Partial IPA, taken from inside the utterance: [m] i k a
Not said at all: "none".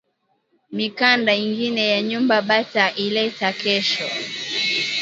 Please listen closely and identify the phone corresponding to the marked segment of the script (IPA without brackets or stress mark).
m